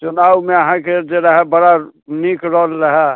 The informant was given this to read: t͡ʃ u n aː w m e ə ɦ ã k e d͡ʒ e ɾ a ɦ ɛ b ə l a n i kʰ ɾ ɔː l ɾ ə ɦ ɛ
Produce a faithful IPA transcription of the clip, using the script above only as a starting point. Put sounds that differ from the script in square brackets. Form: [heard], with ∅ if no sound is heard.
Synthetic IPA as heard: t͡ʃ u n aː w m e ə ɦ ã k e d͡ʒ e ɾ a ɦ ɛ b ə [ɽ] a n i [k] ɾ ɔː l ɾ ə ɦ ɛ

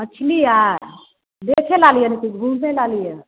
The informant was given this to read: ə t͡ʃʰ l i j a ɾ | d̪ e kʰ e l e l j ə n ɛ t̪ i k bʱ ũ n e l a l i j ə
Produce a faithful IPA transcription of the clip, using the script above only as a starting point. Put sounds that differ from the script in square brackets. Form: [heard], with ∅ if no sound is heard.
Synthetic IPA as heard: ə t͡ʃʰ l i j a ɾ | d̪ e kʰ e l [a] l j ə n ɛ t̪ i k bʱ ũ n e l a l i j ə

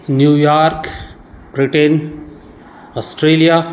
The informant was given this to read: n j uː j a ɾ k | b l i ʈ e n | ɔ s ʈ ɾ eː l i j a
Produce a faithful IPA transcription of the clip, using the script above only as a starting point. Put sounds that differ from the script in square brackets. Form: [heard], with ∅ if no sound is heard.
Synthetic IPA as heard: n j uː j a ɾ k | b [ɾ] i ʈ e n | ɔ s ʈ ɾ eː l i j a

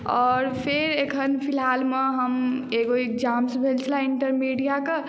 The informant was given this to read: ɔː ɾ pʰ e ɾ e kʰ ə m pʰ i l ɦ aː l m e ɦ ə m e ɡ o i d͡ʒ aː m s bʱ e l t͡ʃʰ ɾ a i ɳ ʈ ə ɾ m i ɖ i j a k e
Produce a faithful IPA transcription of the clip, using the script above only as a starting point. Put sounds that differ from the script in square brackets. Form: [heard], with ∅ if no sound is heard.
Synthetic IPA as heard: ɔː ɾ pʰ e ɾ e kʰ ə [n] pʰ i l ɦ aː l m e ɦ ə m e ɡ o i d͡ʒ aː m s bʱ e l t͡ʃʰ [l] a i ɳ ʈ ə ɾ m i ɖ i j a k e

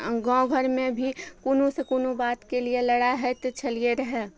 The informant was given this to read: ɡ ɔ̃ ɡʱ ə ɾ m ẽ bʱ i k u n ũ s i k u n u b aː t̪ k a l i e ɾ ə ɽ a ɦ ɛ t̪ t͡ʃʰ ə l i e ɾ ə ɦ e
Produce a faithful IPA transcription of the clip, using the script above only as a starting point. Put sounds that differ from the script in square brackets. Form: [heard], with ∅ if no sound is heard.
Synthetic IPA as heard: ɡ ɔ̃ ɡʱ ə ɾ m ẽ bʱ i k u n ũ s [e] k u n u b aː t̪ k [e] l i e [l] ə ɽ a ɦ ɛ t̪ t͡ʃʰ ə l i e ɾ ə ɦ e

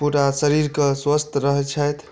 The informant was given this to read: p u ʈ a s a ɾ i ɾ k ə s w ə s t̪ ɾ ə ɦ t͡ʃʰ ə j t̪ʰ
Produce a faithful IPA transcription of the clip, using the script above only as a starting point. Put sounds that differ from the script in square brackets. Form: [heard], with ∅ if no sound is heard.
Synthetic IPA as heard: p u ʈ a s [ə] ɾ i ɾ k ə s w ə s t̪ ɾ ə ɦ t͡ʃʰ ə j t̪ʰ

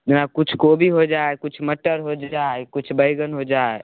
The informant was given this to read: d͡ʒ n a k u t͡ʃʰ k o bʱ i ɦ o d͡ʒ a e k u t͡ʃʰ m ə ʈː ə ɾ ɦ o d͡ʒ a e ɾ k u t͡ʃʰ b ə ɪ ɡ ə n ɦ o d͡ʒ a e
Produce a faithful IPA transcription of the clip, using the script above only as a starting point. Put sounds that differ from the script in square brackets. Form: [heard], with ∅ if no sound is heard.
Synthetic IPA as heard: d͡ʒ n a k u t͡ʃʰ k o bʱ i ɦ o d͡ʒ a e k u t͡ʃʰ m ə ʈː ə ɾ ɦ o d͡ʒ a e [∅] k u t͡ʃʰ b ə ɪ ɡ ə n ɦ o d͡ʒ a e

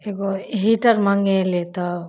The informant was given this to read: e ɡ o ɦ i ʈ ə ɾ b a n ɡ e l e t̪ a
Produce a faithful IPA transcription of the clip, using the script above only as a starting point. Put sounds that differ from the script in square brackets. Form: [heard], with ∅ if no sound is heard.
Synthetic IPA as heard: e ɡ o ɦ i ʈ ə ɾ [m] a [ŋ] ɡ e l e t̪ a

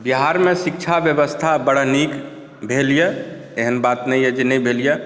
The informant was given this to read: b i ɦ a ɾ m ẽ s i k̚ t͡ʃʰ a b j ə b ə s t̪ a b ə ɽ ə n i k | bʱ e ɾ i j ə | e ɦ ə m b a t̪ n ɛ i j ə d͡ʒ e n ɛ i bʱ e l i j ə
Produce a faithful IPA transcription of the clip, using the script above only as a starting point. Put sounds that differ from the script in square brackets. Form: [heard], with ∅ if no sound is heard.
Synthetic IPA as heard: b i ɦ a ɾ m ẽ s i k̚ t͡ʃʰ a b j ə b ə s [t̪ʰ] a b ə ɽ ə n i k | bʱ e [l] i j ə | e ɦ ə [n] b a t̪ n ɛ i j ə d͡ʒ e n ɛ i bʱ e l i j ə

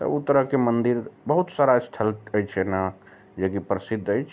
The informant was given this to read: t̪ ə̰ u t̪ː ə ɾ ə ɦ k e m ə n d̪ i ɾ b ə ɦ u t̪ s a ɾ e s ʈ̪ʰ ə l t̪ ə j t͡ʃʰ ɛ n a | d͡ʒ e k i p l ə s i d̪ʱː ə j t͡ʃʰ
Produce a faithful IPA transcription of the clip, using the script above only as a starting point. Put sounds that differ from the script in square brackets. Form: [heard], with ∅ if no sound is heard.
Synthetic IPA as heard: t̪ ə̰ u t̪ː ə ɾ ə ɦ k e m ə n d̪ i ɾ b ə ɦ u t̪ s a ɾ [a] s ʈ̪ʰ ə l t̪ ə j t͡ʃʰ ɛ n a | d͡ʒ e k i p [ɾ] ə s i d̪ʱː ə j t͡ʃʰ

